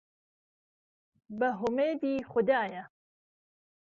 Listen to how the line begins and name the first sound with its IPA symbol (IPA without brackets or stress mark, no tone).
b